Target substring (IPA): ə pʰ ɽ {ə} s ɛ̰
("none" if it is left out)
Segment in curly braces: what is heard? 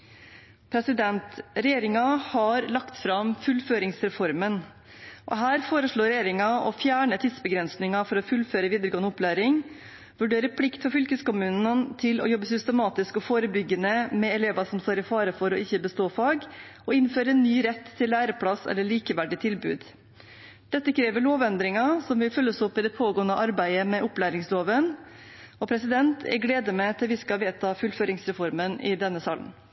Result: ɑ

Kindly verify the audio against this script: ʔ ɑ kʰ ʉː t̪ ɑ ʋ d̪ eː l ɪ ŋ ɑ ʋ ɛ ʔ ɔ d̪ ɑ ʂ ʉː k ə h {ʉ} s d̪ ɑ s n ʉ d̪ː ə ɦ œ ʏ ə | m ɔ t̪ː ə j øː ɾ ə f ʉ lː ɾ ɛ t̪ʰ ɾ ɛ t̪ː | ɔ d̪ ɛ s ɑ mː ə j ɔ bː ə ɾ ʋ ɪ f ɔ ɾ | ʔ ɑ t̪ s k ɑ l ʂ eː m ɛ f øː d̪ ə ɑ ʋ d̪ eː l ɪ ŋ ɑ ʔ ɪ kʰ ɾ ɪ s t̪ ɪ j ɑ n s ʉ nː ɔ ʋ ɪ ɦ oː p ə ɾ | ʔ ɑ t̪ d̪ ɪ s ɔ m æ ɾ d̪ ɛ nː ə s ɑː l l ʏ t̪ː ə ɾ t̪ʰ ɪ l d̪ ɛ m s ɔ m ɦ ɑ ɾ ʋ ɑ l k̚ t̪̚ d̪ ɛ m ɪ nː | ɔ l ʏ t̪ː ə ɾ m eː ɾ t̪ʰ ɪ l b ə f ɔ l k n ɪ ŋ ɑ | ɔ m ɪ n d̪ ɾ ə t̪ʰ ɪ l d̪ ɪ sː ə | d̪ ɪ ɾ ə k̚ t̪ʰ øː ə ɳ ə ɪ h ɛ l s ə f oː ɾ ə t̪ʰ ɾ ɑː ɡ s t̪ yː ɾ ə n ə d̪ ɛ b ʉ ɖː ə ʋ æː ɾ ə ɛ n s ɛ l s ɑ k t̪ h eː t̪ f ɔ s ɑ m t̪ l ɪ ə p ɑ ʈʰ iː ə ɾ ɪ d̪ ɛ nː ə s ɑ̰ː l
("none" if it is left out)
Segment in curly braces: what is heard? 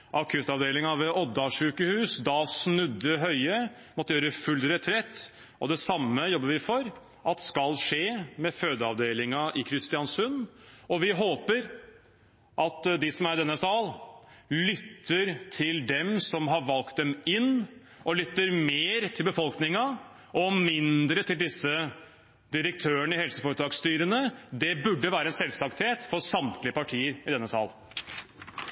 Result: ʉː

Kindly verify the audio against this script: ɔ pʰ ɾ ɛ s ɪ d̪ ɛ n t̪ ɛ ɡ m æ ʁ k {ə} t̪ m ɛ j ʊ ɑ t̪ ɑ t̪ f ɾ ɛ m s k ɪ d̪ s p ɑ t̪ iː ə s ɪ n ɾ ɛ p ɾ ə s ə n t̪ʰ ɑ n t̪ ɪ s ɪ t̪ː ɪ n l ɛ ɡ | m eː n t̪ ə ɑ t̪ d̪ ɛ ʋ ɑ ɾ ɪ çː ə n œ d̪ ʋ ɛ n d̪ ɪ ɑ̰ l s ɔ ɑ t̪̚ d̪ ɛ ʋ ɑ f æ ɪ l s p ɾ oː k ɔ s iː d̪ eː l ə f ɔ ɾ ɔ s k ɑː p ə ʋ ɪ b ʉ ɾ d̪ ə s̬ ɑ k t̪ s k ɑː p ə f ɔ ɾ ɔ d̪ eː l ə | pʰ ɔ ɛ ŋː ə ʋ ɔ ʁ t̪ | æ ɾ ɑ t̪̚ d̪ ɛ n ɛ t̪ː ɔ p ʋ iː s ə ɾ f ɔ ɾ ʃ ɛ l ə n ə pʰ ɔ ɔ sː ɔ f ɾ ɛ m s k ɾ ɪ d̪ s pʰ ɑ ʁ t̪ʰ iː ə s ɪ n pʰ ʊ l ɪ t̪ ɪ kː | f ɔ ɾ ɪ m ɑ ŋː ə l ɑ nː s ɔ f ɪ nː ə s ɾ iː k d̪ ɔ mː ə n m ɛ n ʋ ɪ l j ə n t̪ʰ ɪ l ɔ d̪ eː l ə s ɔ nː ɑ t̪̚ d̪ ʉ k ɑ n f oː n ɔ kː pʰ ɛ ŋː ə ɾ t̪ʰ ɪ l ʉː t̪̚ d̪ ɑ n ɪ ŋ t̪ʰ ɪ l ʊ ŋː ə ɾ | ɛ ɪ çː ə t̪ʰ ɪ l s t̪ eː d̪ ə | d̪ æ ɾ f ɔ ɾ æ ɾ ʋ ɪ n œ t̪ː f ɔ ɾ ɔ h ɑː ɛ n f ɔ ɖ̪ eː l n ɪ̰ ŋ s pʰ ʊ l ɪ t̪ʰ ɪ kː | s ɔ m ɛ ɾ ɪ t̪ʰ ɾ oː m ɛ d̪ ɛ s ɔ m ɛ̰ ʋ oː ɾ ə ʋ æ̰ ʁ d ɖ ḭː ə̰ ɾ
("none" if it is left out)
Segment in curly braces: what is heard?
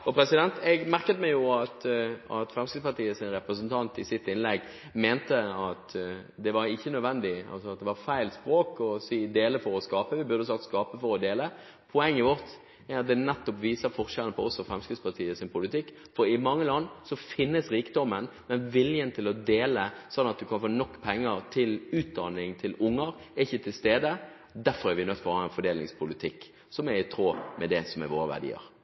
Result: ə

